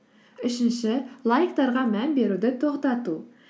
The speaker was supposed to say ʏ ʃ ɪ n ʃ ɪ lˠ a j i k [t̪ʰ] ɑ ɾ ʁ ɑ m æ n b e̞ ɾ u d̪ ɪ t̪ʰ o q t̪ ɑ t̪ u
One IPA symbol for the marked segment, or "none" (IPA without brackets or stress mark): t̪